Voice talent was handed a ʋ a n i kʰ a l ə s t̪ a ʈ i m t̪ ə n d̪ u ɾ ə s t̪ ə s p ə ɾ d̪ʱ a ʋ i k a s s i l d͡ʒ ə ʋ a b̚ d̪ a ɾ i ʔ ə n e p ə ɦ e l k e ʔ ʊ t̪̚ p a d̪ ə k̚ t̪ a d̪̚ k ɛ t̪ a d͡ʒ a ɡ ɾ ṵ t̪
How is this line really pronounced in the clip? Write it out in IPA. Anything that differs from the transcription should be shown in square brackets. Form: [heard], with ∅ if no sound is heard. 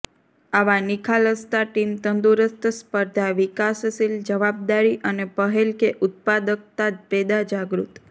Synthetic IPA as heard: a ʋ a n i kʰ a l ə s t̪ a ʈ i m t̪ ə n d̪ u ɾ ə s t̪ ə s p ə ɾ d̪ʱ a ʋ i k a s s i l d͡ʒ ə ʋ a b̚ d̪ a ɾ i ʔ ə n e p ə ɦ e l k e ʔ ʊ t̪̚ p a d̪ ə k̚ t̪ a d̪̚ [p] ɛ [d̪] a d͡ʒ a ɡ ɾ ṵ t̪

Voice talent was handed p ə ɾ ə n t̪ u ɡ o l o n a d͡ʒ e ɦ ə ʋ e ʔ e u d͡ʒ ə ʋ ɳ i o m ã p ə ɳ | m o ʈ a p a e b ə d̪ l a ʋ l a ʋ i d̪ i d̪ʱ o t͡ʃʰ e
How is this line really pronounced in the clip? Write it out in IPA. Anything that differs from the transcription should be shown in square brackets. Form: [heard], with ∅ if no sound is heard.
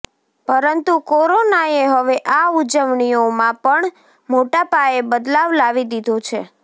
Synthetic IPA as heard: p ə ɾ ə n t̪ u [k] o [ɾ] o n a [∅] e ɦ ə ʋ e ʔ [a] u d͡ʒ ə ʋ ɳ i o m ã p ə ɳ | m o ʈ a p a e b ə d̪ l a ʋ l a ʋ i d̪ i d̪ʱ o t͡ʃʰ e

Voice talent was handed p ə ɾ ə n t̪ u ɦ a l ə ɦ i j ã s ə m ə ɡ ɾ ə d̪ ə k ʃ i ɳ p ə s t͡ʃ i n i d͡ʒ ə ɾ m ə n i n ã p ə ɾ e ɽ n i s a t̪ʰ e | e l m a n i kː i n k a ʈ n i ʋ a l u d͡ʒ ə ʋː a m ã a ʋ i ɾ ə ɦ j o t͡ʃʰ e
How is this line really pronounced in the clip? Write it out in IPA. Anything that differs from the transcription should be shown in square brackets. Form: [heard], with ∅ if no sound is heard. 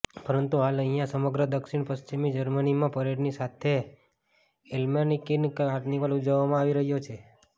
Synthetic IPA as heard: p ə ɾ ə n t̪ u ɦ a l ə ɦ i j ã s ə m ə ɡ ɾ ə d̪ ə k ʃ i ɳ p ə s t͡ʃ i [m] i d͡ʒ ə ɾ m ə n i [m] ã p ə ɾ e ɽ n i s a t̪ʰ e | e l m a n i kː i n k a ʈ n i ʋ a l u d͡ʒ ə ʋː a m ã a ʋ i ɾ ə ɦ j o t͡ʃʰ e

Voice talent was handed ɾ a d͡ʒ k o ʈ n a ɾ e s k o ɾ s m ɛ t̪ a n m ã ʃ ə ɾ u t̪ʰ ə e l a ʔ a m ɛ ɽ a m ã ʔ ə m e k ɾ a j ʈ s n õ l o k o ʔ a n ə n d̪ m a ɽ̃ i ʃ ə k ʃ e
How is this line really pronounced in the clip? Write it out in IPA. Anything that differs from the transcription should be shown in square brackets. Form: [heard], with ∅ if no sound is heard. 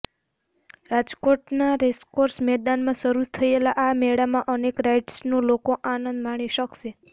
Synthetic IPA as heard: ɾ a d͡ʒ k o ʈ n a ɾ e s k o ɾ s m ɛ [d̪] a n m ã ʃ ə ɾ u t̪ʰ ə e l a ʔ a m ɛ ɽ a m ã ʔ ə [n] e k ɾ a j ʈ s n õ l o k o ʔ a n ə n d̪ m a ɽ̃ i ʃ ə k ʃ e

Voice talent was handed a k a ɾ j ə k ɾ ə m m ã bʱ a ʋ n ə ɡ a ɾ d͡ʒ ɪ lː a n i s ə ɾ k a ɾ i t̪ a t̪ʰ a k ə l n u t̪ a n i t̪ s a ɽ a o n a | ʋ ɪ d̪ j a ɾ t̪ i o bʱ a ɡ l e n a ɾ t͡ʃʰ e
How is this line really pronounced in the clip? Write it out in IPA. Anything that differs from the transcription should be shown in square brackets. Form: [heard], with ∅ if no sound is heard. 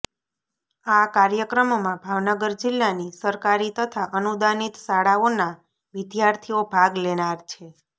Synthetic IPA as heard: a k a ɾ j ə k ɾ ə m m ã bʱ a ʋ n ə ɡ [ə] ɾ d͡ʒ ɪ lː a n i s ə ɾ k a ɾ i t̪ [ə] t̪ʰ a [ʔ] ə [∅] n u [d̪] a n i t̪ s a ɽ a o n a | ʋ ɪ d̪ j a ɾ [t̪ʰ] i o bʱ a ɡ l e n a ɾ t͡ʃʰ e

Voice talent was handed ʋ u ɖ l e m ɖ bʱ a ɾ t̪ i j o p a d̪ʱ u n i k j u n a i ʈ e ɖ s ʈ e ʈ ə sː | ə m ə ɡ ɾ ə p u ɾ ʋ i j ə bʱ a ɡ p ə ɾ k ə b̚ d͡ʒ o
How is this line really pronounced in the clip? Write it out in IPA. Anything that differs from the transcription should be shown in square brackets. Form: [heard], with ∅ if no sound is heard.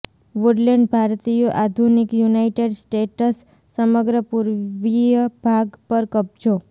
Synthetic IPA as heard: ʋ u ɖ l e [ɳ] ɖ bʱ a ɾ t̪ i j o [ʔ] a d̪ʱ u n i k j u n a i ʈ e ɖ s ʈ e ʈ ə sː | ə m ə ɡ ɾ ə p u ɾ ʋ i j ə bʱ a ɡ p ə ɾ k ə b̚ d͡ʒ o

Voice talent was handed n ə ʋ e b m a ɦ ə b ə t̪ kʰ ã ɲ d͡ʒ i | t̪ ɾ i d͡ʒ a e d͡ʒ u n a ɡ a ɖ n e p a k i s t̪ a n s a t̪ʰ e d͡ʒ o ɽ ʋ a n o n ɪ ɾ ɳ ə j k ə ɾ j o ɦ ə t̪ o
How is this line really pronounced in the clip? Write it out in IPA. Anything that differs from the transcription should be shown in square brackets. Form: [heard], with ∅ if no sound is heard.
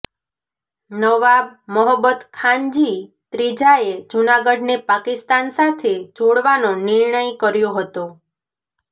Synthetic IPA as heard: n ə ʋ [a] b m [ə] ɦ ə b ə t̪ kʰ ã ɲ d͡ʒ i | t̪ ɾ i d͡ʒ a e d͡ʒ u n a ɡ [ə] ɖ n e p a k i s t̪ a n s a t̪ʰ e d͡ʒ o ɽ ʋ a n o n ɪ ɾ ɳ ə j k ə ɾ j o ɦ ə t̪ o

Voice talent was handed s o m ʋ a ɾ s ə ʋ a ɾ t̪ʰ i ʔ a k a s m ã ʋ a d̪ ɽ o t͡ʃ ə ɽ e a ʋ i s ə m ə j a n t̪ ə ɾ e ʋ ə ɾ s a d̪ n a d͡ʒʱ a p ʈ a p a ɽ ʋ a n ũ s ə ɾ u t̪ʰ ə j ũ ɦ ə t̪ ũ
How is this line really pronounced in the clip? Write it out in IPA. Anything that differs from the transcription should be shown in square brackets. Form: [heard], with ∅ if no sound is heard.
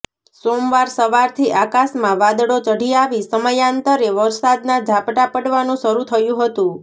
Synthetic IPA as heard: s o m ʋ a ɾ s ə ʋ a ɾ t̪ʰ i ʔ a k a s m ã ʋ a d̪ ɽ o t͡ʃ ə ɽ [i] a ʋ i s ə m ə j a n t̪ ə ɾ e ʋ ə ɾ s a d̪ n a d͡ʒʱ a p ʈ a p [ə] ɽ ʋ a n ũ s ə ɾ u t̪ʰ ə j ũ ɦ ə t̪ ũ

